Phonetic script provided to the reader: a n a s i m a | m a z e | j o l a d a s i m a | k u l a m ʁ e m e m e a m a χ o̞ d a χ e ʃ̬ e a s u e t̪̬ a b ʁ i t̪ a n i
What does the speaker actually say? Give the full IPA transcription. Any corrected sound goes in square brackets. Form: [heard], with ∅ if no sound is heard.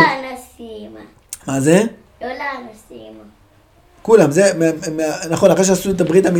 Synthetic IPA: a n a s i m a | m a z e | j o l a [n] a s i m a | k u l a m [z] e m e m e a [n] a χ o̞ [n] a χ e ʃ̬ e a s u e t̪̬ a b ʁ i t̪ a [m] i